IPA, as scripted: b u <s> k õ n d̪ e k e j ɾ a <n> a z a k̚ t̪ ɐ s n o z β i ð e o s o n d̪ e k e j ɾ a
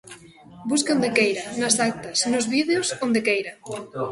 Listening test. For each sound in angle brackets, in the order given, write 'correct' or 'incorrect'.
correct, correct

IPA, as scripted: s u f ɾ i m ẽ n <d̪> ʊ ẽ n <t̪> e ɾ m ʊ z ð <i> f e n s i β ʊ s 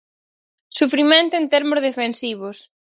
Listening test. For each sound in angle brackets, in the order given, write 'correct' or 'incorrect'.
incorrect: t̪, correct, incorrect: e

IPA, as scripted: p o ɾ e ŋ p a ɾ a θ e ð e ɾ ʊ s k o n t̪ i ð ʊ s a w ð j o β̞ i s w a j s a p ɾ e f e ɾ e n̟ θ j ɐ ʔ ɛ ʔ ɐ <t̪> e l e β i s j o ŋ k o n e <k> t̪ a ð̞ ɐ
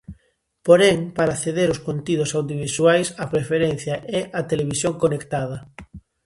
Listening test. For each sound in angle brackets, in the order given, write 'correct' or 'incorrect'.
correct, correct

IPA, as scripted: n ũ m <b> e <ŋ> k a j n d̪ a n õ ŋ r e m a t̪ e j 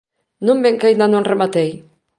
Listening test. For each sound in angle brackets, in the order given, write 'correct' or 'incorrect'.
correct, correct

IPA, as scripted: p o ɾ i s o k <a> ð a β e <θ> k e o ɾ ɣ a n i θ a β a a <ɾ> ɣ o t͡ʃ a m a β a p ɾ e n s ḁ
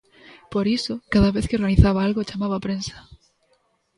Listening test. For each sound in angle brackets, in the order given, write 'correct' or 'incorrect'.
correct, correct, incorrect: l

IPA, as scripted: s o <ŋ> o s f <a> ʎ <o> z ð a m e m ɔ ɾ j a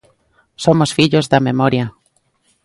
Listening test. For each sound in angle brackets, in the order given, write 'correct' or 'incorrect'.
incorrect: m, incorrect: i, correct

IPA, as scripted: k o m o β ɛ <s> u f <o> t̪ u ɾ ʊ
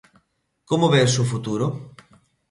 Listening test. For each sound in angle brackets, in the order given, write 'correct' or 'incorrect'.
correct, incorrect: u

